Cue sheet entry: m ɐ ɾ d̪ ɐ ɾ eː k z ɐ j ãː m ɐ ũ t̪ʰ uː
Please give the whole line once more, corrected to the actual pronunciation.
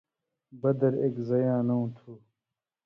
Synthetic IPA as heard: b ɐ d̪ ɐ ɾ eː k z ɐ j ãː n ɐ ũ t̪ʰ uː